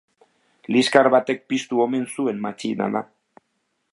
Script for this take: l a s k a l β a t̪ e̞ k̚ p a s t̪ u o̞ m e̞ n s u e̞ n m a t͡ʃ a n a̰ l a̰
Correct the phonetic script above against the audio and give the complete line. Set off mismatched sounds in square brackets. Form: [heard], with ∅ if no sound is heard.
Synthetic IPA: l [i] s k a [ɾ] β a t̪ e̞ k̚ p [i] s t̪ u o̞ m e̞ n s u e̞ n m a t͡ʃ [i] n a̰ l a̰